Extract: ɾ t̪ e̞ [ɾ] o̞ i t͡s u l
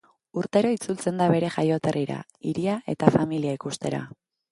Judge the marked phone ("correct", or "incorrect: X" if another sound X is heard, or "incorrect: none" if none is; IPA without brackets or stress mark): correct